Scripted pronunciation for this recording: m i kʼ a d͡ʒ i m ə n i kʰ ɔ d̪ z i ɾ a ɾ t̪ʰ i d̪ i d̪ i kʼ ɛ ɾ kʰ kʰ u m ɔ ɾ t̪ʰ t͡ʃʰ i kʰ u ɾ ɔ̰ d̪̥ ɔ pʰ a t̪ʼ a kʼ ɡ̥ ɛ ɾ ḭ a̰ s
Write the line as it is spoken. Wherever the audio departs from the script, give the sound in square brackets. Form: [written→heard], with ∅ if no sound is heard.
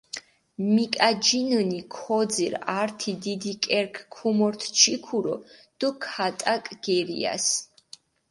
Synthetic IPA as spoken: m i kʼ a d͡ʒ i [m→n] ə n i kʰ ɔ d̪ z i ɾ a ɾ t̪ʰ i d̪ i d̪ i kʼ ɛ ɾ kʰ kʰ u m ɔ ɾ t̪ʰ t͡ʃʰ i kʰ u ɾ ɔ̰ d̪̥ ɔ [pʰ→kʰ] a t̪ʼ a kʼ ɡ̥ ɛ ɾ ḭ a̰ s